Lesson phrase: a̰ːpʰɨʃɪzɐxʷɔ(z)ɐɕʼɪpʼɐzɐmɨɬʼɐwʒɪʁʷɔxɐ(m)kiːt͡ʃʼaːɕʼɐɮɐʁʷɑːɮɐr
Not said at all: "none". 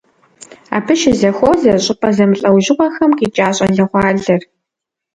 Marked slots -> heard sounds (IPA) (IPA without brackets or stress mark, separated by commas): z, m